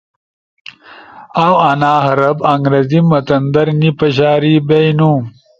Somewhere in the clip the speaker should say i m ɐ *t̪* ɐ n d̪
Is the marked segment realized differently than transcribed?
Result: no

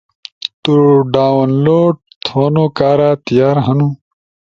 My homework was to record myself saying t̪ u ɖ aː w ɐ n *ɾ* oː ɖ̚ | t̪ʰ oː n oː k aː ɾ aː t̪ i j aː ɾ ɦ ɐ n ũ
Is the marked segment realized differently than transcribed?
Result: yes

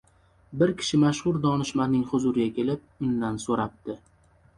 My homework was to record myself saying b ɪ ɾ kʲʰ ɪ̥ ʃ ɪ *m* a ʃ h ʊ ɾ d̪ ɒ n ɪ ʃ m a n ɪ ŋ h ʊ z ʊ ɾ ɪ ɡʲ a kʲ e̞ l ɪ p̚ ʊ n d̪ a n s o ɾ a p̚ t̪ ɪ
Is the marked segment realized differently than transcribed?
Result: no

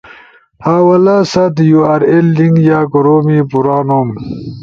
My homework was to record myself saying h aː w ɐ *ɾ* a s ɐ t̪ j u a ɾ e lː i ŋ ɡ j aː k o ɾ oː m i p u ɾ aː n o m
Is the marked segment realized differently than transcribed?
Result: yes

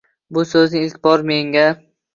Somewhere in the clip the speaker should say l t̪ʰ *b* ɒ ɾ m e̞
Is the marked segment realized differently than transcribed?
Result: no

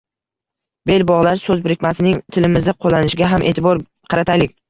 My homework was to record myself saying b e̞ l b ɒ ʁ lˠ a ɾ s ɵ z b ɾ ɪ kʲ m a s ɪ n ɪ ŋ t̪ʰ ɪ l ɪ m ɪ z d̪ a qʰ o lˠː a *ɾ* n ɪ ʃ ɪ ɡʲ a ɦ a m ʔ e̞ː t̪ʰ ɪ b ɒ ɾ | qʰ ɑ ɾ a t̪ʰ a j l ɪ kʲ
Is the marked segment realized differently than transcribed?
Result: yes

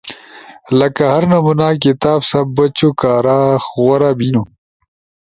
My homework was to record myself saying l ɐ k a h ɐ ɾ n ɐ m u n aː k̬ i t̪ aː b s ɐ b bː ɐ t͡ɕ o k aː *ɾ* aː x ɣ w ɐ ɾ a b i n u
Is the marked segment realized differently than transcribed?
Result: no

